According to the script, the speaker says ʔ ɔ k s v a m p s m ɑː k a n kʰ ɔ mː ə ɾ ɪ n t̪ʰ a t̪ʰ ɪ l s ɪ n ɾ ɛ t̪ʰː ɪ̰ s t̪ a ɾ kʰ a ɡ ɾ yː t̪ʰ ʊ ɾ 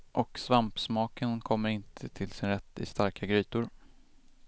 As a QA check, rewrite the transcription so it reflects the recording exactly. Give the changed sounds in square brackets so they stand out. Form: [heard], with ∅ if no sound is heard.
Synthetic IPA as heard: ʔ ɔ k s v a m p s m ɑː k [ə] n kʰ ɔ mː ə ɾ ɪ n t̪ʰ [ə] t̪ʰ ɪ l s ɪ n ɾ ɛ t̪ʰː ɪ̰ s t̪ a ɾ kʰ a ɡ ɾ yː [t̪] ʊ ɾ